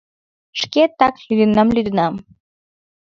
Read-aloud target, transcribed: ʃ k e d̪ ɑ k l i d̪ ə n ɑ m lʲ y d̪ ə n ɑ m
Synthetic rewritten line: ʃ k e t̪ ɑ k l y d̪ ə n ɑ m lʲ y d̪ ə n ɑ m